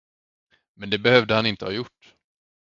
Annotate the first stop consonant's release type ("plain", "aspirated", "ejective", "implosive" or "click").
plain